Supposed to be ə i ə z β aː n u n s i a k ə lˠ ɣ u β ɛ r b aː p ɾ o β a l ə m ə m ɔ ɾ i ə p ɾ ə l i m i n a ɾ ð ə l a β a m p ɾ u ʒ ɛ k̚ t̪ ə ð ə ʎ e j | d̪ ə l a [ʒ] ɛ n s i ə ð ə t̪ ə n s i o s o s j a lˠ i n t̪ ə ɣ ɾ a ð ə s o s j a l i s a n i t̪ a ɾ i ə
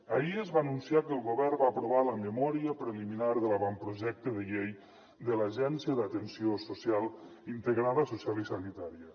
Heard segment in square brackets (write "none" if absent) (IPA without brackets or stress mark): ʒ